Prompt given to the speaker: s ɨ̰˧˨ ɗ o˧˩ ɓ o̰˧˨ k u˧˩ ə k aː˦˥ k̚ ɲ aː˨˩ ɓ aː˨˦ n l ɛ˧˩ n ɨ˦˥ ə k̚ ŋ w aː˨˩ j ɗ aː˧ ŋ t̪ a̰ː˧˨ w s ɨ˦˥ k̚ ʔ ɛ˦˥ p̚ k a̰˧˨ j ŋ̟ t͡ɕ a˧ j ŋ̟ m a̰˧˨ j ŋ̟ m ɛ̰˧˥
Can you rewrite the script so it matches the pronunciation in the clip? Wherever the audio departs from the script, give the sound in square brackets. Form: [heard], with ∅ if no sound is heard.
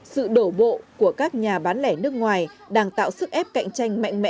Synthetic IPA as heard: s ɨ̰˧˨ ɗ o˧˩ ɓ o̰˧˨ k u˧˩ ə k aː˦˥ k̚ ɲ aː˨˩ ɓ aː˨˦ n l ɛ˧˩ n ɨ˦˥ ə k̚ ŋ w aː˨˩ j ɗ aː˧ ŋ t̪ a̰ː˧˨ w s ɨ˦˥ k̚ ʔ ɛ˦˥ p̚ k a̰˧˨ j ŋ̟ t͡ɕ a˧ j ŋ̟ m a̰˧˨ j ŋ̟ m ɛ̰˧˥